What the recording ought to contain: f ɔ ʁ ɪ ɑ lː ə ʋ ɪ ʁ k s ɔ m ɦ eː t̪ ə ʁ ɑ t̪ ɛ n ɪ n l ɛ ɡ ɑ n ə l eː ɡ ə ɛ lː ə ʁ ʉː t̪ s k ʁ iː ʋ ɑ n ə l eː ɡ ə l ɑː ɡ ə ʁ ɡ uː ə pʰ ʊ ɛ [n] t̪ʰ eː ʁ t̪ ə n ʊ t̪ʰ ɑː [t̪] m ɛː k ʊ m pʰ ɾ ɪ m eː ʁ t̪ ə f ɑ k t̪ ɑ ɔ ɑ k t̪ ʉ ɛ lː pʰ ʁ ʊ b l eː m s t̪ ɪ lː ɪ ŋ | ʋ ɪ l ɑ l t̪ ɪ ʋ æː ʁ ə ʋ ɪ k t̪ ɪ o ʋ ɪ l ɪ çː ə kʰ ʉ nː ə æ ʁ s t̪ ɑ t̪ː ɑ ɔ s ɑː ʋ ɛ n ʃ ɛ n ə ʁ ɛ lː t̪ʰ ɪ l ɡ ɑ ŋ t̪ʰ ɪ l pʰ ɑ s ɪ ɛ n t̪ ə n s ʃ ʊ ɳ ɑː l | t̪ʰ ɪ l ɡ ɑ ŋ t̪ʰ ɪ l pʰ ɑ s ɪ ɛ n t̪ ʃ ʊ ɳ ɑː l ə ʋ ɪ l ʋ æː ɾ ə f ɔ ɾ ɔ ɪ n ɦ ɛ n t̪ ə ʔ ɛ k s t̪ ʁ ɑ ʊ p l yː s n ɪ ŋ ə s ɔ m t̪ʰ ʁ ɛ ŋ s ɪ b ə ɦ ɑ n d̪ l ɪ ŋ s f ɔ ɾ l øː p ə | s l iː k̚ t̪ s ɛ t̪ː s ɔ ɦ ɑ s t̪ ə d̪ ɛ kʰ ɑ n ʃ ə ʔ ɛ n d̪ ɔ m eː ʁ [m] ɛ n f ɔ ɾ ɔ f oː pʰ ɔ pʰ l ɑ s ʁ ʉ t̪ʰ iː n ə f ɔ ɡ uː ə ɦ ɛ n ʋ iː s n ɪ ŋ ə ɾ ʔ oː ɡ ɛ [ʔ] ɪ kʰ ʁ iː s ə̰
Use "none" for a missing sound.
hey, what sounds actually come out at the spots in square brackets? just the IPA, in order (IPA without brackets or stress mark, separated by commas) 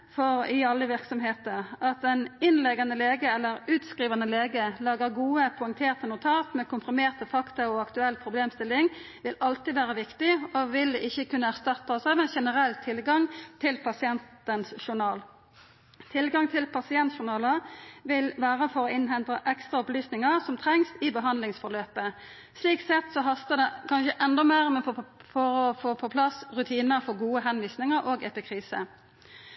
ŋ, t̪, m, p